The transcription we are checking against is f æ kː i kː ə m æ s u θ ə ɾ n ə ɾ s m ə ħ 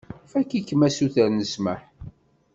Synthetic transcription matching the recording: f æ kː i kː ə m æ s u θ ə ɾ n ə s m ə ħ